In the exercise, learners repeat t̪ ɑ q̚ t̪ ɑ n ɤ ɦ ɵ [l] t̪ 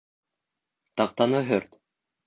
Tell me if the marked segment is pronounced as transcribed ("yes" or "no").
no